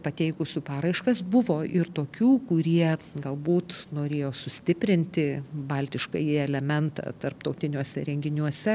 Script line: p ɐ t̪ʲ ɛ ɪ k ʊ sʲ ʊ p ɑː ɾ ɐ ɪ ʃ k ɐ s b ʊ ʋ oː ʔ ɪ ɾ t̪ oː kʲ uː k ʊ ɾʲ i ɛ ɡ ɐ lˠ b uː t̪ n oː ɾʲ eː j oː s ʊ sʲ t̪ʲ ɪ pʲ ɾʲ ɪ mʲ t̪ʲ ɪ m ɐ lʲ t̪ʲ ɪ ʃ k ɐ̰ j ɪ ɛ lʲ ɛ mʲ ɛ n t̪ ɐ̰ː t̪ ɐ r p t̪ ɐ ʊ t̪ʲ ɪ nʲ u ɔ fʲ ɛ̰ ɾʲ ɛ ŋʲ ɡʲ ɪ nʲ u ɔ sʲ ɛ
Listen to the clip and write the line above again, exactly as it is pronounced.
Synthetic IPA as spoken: p ɐ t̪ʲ ɛ ɪ k ʊ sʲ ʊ p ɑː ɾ ɐ ɪ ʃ k ɐ s b ʊ ʋ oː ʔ ɪ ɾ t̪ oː kʲ uː k ʊ ɾʲ i ɛ ɡ ɐ lˠ b uː t̪ n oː ɾʲ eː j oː s ʊ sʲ t̪ʲ ɪ pʲ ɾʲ ɪ nʲ t̪ʲ ɪ b ɐ lʲ t̪ʲ ɪ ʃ k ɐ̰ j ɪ ɛ lʲ ɛ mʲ ɛ n t̪ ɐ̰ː t̪ ɐ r p t̪ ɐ ʊ t̪ʲ ɪ nʲ u ɔ sʲ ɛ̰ ɾʲ ɛ ŋʲ ɡʲ ɪ nʲ u ɔ sʲ ɛ